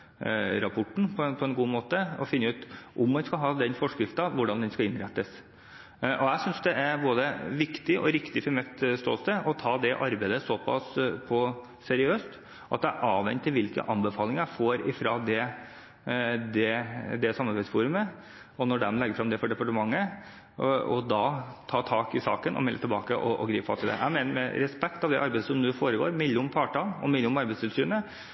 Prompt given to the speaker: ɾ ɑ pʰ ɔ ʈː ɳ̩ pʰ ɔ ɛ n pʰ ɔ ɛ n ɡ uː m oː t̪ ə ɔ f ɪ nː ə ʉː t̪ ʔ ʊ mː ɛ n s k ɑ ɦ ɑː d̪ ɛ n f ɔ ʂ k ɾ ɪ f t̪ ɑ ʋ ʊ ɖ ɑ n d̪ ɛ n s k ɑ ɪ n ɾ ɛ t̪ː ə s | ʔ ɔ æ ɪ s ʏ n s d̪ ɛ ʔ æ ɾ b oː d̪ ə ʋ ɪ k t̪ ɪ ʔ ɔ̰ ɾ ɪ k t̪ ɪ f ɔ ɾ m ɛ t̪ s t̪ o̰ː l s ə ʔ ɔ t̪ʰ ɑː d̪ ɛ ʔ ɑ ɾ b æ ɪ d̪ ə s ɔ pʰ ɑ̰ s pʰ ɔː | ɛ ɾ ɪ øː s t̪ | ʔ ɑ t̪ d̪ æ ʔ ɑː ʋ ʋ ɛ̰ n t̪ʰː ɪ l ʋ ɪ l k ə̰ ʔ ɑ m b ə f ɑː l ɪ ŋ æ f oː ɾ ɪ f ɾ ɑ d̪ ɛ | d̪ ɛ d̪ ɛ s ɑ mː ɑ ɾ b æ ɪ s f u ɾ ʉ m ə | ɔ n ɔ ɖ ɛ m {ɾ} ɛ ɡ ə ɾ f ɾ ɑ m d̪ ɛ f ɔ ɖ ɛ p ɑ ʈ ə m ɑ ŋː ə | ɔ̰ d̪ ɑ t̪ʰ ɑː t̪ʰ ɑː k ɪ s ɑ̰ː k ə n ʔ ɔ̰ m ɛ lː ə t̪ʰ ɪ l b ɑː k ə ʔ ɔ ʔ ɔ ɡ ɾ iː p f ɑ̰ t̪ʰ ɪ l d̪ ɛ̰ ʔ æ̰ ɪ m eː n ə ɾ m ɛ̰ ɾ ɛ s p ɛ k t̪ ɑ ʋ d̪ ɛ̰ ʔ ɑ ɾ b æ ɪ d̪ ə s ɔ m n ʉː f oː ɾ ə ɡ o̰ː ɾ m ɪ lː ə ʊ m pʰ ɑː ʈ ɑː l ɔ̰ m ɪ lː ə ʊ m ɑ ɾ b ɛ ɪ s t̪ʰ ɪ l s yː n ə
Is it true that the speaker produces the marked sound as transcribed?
no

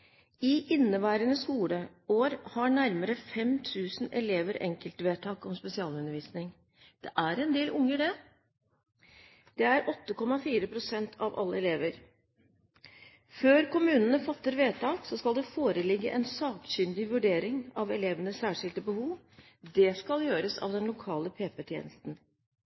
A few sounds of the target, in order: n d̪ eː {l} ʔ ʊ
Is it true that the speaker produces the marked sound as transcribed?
yes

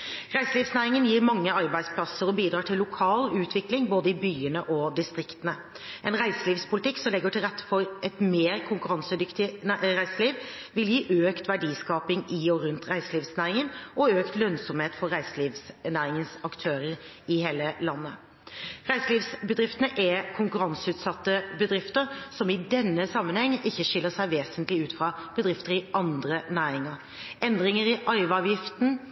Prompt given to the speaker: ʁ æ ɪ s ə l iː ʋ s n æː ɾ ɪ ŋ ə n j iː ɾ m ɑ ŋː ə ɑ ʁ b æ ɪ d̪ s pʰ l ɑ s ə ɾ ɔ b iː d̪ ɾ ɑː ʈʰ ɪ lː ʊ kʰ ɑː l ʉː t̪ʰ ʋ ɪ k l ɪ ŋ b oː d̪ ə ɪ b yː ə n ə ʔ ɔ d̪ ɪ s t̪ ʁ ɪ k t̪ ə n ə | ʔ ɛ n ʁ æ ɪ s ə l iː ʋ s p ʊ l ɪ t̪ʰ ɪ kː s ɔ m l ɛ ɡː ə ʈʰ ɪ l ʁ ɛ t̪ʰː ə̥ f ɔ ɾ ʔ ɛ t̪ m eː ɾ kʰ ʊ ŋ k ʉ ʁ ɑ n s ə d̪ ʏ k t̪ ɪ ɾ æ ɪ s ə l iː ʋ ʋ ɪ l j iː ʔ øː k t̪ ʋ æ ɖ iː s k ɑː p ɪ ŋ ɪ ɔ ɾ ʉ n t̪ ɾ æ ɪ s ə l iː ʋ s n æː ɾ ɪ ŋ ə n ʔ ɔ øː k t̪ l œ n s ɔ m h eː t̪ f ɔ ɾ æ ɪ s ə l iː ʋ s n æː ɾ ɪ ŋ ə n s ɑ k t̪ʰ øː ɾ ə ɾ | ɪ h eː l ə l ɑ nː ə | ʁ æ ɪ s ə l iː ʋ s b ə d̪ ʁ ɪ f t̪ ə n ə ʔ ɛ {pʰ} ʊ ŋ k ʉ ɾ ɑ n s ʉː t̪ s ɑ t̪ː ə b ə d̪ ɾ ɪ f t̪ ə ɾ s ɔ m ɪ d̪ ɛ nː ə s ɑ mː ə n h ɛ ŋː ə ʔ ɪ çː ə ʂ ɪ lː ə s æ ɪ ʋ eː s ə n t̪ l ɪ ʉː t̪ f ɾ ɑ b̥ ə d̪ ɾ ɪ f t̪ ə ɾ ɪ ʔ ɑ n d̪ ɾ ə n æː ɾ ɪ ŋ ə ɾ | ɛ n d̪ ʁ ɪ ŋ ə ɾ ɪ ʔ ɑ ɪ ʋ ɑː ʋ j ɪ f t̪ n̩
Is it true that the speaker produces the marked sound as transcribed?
no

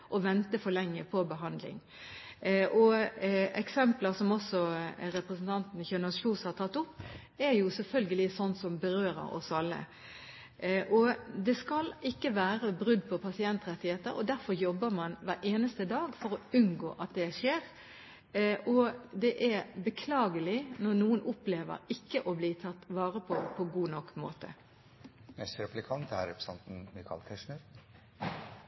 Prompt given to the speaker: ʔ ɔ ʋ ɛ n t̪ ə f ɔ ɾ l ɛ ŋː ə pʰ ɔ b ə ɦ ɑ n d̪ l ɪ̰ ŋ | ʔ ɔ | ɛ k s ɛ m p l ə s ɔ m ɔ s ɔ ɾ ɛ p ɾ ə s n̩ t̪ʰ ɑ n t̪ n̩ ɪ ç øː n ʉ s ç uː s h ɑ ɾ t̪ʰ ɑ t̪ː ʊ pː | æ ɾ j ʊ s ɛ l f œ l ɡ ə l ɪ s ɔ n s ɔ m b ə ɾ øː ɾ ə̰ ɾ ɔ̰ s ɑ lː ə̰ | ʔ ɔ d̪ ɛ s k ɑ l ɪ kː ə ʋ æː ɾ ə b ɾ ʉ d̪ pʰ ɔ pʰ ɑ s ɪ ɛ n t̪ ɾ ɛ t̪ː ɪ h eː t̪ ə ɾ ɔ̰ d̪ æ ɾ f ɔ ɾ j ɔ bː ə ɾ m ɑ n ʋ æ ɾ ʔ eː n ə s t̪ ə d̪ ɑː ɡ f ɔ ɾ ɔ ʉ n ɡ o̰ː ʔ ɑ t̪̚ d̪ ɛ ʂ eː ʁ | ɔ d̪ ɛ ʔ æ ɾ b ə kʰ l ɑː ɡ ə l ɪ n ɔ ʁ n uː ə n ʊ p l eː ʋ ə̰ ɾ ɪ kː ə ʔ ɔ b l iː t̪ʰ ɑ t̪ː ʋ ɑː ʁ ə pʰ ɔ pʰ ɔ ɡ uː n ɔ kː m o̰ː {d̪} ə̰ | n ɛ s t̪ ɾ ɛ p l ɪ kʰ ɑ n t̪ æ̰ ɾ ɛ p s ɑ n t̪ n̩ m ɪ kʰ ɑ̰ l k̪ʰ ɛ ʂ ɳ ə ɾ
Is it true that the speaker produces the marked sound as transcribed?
no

